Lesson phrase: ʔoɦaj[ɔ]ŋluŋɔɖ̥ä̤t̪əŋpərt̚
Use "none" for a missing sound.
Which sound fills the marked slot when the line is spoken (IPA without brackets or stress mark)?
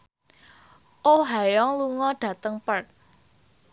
ɔ